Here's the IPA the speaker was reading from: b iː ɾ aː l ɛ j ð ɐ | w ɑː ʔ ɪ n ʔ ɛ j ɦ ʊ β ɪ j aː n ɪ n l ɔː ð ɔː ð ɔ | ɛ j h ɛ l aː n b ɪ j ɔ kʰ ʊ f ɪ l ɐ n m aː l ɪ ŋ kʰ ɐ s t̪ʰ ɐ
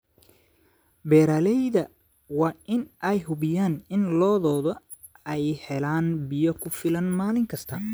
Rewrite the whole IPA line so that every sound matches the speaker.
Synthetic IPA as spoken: b ɛː ɾ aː l ɛ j ð ɐ | w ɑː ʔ ɪ n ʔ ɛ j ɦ ʊ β ɪ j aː n ɪ n l ɔː ð ɔː ð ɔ | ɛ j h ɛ l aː n b ɪ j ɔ kʰ ʊ f ɪ l ɐ n m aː l ɪ ŋ kʰ ɐ s t̪ʰ ɐ

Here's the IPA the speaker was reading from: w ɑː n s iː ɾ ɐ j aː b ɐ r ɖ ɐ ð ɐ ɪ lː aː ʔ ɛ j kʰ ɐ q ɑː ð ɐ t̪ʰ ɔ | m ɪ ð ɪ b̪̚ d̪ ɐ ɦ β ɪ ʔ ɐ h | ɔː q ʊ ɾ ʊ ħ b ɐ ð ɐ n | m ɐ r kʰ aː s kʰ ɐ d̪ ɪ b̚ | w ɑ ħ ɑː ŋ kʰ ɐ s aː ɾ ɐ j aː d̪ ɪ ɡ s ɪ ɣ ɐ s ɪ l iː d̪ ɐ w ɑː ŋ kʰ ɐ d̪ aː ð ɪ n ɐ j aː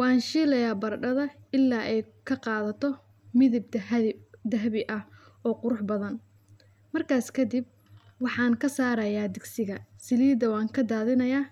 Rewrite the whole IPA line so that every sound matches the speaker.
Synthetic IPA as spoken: w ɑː n ʃ iː l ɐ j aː b ɐ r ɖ ɐ ð ɐ ɪ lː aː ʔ ɛ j kʰ ɐ q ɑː ð ɐ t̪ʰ ɔ | m ɪ ð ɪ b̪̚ d̪ ɐ ɦ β ɪ ʔ ɐ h | ɔː q ʊ ɾ ʊ ħ b ɐ ð ɐ n | m ɐ r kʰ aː s kʰ ɐ d̪ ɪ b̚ | w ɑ ħ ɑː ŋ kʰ ɐ s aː ɾ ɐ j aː d̪ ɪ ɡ s ɪ ɣ ɐ s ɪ l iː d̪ ɐ w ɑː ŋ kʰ ɐ d̪ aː ð ɪ n ɐ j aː

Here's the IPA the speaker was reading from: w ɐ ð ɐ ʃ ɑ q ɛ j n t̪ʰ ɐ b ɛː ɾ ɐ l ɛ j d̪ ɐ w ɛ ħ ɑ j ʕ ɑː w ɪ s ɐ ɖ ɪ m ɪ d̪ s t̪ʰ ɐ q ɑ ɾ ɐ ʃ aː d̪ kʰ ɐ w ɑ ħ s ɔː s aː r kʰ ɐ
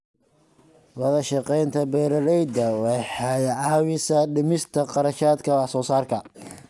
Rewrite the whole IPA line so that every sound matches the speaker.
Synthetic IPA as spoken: w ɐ ð ɐ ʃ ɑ q ɛ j n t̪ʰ ɐ b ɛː ɾ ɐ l ɛ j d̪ ɐ w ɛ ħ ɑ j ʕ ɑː w ɪ s ɐ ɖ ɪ m ɪ s t̪ʰ ɐ q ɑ ɾ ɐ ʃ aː d̪ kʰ ɐ w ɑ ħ s ɔː s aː r kʰ ɐ

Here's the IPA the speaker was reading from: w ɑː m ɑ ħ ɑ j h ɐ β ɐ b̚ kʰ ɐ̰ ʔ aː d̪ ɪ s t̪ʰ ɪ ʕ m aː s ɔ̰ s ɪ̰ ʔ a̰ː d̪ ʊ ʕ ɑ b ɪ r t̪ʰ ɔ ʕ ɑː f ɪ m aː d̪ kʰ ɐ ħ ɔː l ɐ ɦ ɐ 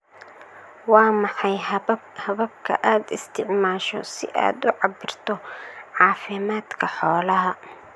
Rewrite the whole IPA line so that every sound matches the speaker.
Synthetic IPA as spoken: w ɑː m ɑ ħ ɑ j h ɐ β ɐ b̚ kʰ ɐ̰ ʔ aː d̪ ɪ s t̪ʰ ɪ ʕ m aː ʃ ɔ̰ s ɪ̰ ʔ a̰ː d̪ ʊ ʕ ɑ b ɪ r t̪ʰ ɔ ʕ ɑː f ɪ m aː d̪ kʰ ɐ ħ ɔː l ɐ ɦ ɐ

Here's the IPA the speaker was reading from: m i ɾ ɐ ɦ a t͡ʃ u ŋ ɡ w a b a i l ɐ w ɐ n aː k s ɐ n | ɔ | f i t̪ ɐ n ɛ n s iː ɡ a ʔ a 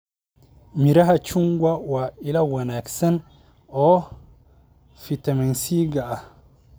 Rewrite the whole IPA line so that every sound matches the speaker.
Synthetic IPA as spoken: m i ɾ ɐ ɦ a t͡ʃ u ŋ ɡ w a w a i l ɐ w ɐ n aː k s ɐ n | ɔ | f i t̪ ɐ m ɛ n s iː ɡ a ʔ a

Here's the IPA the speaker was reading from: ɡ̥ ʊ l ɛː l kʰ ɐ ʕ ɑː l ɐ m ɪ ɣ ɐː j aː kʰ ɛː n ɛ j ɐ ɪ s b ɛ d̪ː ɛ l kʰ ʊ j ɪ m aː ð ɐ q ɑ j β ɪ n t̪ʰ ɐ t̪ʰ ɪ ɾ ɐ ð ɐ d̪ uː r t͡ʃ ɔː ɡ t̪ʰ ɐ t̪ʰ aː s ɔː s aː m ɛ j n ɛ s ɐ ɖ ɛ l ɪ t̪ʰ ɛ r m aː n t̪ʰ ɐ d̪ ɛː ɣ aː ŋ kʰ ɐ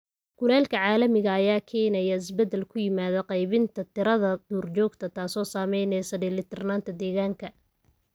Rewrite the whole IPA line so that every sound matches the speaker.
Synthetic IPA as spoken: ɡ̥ ʊ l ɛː l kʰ ɐ ʕ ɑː l ɐ m ɪ ɣ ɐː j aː kʰ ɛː n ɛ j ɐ ɪ s b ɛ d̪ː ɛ l kʰ ʊ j ɪ m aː ð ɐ q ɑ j β ɪ n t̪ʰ ɐ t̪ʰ ɪ ɾ ɐ ð ɐ d̪ uː r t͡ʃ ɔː ɡ t̪ʰ ɐ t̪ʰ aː s ɔː s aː m ɛ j n ɛ s ɐ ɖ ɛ l ɪ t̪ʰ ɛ r n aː n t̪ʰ ɐ d̪ ɛː ɣ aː ŋ kʰ ɐ

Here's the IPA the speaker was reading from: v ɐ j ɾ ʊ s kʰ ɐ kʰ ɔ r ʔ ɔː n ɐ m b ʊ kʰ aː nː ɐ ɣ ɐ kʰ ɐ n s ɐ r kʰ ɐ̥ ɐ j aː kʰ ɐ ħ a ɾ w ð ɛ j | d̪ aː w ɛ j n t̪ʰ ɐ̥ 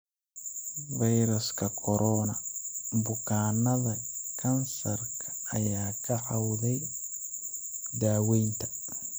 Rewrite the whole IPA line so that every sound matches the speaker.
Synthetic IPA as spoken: v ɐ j ɾ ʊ s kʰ ɐ kʰ ɔ ɾ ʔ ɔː n ɐ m b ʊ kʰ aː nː ɐ ð ɐ kʰ ɐ n s ɐ r kʰ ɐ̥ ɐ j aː kʰ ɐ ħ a w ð ɛ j | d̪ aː w ɛ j n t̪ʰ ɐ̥

